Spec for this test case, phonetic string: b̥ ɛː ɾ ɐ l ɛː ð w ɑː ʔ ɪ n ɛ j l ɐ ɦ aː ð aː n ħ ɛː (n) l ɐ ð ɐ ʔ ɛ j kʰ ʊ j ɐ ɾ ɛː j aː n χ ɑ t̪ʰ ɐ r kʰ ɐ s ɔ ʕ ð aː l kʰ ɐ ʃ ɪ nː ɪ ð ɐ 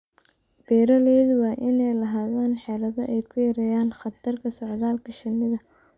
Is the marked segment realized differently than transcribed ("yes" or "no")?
yes